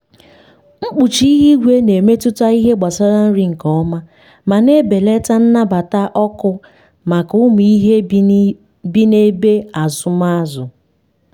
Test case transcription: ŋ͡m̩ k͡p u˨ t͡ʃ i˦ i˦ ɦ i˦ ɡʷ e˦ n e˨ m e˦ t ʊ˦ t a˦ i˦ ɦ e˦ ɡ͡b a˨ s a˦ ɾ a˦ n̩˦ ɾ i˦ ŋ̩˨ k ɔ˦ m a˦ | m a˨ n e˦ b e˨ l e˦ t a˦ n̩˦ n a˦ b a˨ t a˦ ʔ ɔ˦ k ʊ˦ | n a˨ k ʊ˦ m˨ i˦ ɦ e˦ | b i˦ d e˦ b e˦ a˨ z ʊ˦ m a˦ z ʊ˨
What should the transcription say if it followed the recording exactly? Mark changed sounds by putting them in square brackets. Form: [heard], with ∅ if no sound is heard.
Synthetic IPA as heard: ŋ͡m̩ k͡p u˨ t͡ʃ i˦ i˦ ɦ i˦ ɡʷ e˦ n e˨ m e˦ t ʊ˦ t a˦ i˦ ɦ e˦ ɡ͡b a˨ s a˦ ɾ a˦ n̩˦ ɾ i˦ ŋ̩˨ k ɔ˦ m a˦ | m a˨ n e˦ b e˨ l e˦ t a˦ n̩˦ n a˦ b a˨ t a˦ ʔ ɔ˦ k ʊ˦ | [m] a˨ k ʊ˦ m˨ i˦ ɦ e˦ | b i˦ [n] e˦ b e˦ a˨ z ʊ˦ m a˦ z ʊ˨